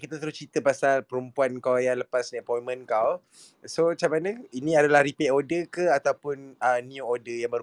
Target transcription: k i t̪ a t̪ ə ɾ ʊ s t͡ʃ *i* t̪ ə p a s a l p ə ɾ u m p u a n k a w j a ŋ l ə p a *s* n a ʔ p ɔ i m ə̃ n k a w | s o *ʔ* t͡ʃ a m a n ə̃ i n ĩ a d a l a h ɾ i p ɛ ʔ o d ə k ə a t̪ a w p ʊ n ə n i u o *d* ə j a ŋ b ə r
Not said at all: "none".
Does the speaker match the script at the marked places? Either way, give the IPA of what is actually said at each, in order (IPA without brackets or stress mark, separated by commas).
i, s, none, d